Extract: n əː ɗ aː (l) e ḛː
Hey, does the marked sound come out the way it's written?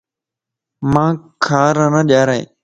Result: no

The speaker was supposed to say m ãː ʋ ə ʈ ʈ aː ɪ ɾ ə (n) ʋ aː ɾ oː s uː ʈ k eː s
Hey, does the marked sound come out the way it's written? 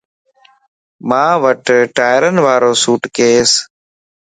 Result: yes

